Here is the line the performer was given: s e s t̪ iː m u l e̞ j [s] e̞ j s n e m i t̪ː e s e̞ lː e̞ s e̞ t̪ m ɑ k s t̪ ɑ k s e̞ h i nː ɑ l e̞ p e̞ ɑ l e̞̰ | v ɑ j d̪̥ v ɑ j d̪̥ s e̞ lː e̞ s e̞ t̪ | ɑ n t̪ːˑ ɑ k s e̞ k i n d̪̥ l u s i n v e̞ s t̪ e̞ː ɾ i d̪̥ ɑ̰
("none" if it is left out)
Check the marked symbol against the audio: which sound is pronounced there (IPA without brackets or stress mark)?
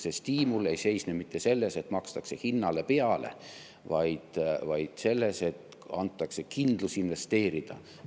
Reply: s